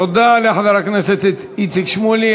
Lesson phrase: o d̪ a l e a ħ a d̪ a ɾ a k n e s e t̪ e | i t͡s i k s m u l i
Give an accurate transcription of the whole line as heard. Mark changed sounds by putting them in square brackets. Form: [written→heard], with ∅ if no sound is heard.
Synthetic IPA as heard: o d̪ a l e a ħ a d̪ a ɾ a k n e s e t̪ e | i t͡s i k [s→ʃ] m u l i